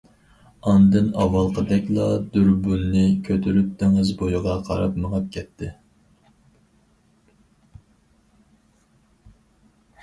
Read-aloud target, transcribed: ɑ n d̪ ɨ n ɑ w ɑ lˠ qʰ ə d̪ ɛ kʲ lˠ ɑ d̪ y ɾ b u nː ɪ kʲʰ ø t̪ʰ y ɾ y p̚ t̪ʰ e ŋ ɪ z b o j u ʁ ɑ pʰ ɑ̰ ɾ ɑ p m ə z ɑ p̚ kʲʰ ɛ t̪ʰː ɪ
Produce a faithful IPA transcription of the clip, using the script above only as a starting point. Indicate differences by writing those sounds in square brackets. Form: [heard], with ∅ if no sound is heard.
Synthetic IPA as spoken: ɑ n d̪ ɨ n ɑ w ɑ lˠ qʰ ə d̪ ɛ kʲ lˠ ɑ d̪ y ɾ b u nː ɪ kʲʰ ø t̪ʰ y ɾ y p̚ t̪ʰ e ŋ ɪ z b o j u ʁ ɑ [qʰ] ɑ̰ ɾ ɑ p m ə [ʁ] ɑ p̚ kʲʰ ɛ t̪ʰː ɪ